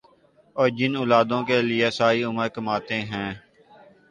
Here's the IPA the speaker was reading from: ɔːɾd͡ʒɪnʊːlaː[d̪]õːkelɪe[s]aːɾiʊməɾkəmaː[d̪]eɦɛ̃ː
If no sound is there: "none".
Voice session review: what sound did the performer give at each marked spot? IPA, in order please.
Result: d̪, s, t̪

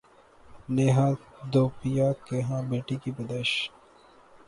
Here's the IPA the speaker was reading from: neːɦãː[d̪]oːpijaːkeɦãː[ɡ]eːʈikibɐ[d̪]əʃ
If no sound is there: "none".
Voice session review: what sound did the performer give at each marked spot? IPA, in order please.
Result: d̪, b, d̪

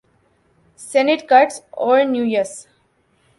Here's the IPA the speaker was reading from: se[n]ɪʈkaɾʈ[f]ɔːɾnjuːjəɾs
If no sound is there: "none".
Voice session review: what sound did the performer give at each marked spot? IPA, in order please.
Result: n, s

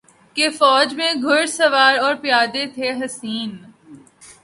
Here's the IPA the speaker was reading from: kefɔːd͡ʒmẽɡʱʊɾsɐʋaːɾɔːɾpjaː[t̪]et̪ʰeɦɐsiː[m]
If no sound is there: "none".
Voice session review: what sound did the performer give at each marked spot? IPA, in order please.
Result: d̪, n

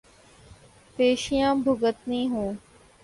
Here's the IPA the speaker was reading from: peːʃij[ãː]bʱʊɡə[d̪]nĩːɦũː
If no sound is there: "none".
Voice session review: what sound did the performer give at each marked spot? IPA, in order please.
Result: ãː, t̪

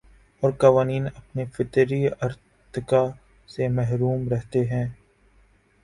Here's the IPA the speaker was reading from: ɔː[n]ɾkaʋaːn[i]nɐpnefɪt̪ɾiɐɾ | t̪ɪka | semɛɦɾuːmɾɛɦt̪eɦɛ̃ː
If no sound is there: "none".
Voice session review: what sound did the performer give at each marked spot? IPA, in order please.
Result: none, iː

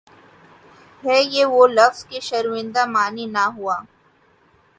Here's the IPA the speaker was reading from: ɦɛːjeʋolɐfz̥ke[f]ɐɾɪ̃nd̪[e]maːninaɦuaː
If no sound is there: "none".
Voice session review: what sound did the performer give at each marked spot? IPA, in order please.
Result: ʃ, a

